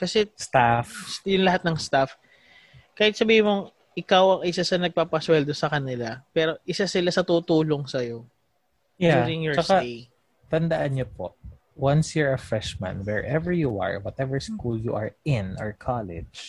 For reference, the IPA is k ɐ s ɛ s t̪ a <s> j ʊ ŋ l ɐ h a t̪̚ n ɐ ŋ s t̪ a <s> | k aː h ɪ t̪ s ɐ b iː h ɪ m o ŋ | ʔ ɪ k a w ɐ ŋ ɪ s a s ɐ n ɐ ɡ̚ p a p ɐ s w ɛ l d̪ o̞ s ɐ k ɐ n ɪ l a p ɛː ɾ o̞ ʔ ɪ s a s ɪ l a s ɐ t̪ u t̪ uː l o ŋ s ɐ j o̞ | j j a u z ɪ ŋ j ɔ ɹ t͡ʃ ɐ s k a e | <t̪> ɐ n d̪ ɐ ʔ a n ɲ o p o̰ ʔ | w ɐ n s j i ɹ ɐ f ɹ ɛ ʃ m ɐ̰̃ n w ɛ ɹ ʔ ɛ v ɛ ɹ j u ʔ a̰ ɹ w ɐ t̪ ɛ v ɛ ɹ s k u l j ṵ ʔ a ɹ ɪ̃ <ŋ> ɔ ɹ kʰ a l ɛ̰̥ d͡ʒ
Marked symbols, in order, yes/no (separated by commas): no, no, yes, no